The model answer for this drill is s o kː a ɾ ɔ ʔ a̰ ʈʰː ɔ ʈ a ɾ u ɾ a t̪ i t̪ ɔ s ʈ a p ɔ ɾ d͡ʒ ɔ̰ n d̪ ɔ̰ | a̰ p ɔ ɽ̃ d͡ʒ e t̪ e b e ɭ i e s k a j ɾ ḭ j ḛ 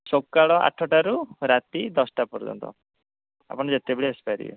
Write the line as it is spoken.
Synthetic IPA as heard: s o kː a ɭ ɔ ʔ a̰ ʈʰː ɔ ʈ a ɾ u ɾ a t̪ i d̪ ɔ s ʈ a p ɔ ɾ d͡ʒ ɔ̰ n t̪ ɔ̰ | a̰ p ɔ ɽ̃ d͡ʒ e t̪ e b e ɭ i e s p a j ɾ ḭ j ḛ